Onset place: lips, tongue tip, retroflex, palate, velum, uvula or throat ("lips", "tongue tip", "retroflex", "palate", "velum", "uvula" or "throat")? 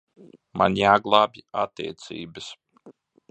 lips